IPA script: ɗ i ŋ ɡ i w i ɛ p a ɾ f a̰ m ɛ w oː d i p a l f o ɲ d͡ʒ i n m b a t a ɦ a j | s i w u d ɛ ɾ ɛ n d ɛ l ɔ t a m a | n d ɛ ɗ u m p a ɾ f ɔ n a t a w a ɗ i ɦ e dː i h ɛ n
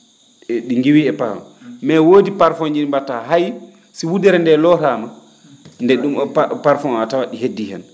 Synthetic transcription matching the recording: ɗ i ŋ ɡ i w i ɛ p a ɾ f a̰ m ɛ w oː d i p a ɾ f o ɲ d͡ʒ i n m b a t a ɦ a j | s i w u d ɛ ɾ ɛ n d ɛ l ɔ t a m a | n d ɛ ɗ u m p a ɾ f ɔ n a t a w a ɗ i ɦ e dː i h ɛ n

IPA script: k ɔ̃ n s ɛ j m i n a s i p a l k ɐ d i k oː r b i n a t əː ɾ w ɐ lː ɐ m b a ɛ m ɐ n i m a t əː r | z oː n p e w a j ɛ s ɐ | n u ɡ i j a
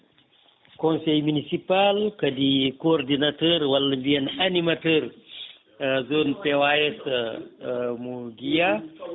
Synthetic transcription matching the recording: k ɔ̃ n s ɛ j m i n i s i p a l k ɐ d i k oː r d i n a t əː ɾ w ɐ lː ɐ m b i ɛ n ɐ n i m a t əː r | z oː n p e w a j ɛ s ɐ | m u ɡ i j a

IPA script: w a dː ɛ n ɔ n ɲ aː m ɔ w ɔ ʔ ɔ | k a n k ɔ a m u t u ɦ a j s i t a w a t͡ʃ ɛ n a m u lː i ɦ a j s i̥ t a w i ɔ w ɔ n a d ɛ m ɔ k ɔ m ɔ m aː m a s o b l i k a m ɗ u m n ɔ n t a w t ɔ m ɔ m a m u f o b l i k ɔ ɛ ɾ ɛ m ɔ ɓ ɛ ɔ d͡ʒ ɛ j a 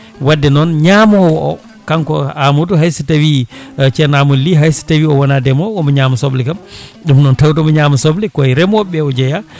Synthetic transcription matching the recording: w a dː ɛ n ɔ n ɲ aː m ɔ w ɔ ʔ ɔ | k a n k ɔ a m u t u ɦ a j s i t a w i t͡ʃ ɛ n a m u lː i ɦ a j s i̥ t a w i ɔ w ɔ n a d ɛ m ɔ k ɔ m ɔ ɲ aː m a s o b l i k a m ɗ u m n ɔ n t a w t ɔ m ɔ ɲ a m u s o b l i k ɔ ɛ ɾ ɛ m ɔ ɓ ɛ ɔ d͡ʒ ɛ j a

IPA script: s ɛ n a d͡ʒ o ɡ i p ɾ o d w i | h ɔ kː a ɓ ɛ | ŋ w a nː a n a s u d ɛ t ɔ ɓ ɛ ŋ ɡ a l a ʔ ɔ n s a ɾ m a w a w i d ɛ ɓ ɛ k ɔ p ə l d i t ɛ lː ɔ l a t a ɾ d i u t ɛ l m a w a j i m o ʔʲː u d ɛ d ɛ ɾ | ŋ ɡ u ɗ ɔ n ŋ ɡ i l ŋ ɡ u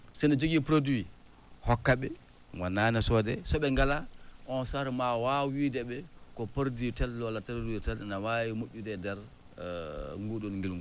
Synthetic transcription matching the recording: s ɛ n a d͡ʒ o ɡ i p ɾ o d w i | h ɔ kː a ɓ ɛ | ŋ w a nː a n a s ɔ d ɛ s ɔ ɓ ɛ ŋ ɡ a l a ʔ ɔ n s a ɾ m a w a w i d ɛ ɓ ɛ k ɔ p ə ɾ d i t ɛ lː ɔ l a t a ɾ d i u t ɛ l n a w a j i m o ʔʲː u d ɛ d ɛ ɾ | ŋ ɡ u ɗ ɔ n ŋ ɡ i l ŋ ɡ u

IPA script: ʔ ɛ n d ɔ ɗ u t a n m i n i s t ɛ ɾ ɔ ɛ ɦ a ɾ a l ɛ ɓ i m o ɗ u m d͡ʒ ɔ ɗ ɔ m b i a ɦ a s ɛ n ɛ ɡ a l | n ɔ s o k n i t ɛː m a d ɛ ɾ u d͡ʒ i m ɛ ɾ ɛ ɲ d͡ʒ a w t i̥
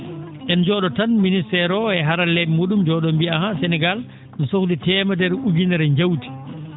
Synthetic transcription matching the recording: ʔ ɛ n d͡ʒ ɔ ɗ ɔ t a n m i n i s t ɛ ɾ ɔ ɛ ɦ a ɾ a l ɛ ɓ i m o ɗ u m d͡ʒ ɔ ɗ ɔ m b i a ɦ a s ɛ n ɛ ɡ a l | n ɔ s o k d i t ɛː m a d ɛ ɾ u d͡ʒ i n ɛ ɾ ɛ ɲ d͡ʒ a w t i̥

